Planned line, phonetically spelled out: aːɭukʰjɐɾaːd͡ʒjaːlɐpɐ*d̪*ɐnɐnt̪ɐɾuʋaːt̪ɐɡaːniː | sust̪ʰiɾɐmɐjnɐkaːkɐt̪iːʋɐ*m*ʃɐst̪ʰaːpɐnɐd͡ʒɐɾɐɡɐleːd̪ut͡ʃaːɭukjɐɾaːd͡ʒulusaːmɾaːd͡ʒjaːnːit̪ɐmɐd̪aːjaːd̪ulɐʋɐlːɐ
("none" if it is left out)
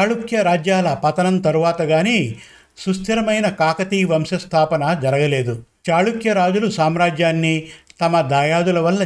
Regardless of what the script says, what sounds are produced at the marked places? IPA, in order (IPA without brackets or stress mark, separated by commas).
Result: t̪, m